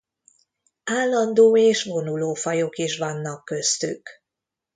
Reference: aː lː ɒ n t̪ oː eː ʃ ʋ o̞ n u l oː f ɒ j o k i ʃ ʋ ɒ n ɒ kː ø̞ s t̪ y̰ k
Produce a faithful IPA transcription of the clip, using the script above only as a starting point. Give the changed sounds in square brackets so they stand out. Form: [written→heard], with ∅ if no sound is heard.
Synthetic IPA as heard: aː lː ɒ n [t̪→d̪] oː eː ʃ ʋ o̞ n u l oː f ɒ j o k i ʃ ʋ ɒ [n→nː] ɒ kː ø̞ s t̪ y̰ k